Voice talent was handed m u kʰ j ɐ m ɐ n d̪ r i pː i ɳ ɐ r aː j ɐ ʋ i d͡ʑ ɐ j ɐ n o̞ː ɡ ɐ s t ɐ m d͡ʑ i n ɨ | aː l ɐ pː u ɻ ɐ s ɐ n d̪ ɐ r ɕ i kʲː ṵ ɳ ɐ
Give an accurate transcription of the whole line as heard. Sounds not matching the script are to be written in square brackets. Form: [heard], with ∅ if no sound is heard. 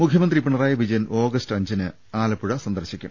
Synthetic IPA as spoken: m u kʰ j ɐ m ɐ n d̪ r i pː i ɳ ɐ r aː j ɐ ʋ i d͡ʑ ɐ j ɐ n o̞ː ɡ ɐ s t ɐ [ɲ] d͡ʑ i n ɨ | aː l ɐ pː u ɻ ɐ s ɐ n d̪ ɐ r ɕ i kʲː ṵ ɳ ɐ